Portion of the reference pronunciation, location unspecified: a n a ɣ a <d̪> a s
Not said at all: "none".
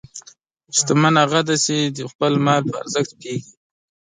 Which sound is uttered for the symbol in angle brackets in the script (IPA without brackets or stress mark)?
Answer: d̪